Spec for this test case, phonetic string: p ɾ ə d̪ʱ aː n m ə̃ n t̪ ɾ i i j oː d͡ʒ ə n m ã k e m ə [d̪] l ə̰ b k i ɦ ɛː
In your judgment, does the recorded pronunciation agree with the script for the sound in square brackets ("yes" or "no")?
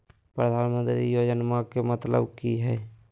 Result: no